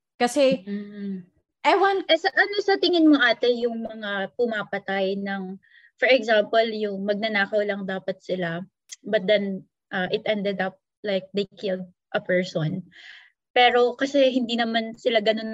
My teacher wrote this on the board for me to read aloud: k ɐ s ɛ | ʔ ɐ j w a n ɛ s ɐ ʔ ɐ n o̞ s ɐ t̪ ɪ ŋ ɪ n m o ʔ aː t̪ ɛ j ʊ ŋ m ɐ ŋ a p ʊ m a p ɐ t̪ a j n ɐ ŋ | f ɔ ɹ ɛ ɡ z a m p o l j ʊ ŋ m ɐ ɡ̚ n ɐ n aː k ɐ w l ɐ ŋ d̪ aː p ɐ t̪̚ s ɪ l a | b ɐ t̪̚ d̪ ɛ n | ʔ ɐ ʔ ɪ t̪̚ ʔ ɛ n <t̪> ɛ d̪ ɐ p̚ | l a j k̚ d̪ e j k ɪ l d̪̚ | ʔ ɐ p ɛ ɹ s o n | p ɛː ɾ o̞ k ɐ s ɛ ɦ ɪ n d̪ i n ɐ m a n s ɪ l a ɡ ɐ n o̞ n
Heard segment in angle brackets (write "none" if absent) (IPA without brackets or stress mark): d̪